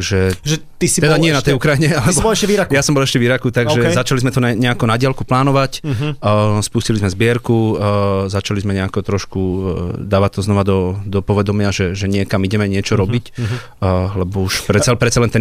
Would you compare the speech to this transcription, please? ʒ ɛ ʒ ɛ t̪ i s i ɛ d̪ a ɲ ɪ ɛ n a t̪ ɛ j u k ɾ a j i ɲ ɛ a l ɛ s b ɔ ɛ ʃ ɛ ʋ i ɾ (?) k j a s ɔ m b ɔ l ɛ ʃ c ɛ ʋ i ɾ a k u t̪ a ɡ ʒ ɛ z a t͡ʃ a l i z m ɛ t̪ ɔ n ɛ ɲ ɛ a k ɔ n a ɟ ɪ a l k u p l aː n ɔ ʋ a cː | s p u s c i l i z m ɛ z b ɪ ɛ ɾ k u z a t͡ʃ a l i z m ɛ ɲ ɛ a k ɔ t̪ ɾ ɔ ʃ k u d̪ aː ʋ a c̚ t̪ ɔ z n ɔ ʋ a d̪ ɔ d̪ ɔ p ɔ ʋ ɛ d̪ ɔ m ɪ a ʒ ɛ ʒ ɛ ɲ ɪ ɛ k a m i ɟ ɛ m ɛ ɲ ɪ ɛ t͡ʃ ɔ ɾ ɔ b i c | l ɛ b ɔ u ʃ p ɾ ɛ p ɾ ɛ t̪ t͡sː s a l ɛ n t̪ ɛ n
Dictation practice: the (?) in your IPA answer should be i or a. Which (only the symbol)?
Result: a